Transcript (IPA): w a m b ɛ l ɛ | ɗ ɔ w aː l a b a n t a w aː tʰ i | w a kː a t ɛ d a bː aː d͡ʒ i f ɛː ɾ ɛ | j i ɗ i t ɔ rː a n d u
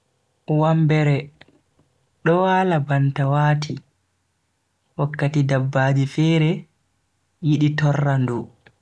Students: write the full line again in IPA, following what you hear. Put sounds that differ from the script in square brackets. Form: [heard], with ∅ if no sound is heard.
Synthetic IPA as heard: w a m b ɛ [ɾ] ɛ | ɗ ɔ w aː l a b a n t a w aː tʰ i | w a kː a t [i] d a bː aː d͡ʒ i f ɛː ɾ ɛ | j i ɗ i t ɔ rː a n d u